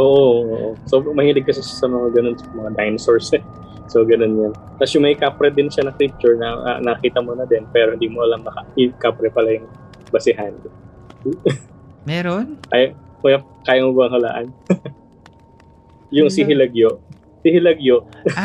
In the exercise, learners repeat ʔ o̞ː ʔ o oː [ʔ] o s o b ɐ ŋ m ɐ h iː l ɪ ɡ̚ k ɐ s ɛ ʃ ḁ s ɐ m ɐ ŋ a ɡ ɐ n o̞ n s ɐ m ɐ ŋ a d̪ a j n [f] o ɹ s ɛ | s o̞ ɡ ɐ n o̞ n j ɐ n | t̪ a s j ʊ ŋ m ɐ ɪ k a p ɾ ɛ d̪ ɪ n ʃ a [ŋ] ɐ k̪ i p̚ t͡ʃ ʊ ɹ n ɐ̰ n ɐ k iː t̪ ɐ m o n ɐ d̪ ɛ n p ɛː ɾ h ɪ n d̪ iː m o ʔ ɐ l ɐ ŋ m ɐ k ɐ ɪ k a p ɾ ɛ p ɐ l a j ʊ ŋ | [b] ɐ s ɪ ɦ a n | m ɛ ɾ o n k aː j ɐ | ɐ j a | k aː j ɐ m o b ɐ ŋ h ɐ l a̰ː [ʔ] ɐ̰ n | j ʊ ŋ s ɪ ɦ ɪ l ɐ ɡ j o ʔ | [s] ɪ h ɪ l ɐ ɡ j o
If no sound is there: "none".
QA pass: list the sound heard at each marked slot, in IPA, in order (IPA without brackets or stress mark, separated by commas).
ʔ, s, n, b, ʔ, s